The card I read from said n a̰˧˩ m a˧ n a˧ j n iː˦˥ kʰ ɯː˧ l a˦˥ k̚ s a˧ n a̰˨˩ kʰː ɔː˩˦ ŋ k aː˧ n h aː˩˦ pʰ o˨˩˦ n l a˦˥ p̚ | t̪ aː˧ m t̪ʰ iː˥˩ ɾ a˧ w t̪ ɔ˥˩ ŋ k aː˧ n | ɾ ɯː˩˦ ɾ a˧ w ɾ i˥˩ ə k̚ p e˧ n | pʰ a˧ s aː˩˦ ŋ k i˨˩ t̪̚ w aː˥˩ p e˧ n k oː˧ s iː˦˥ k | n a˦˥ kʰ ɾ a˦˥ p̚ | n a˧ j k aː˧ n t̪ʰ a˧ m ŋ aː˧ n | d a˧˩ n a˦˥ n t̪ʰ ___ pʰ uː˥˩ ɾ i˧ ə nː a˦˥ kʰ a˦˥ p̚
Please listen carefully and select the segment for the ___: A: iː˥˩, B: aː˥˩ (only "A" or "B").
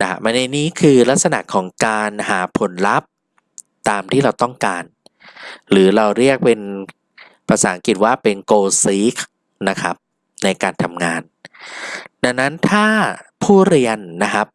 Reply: B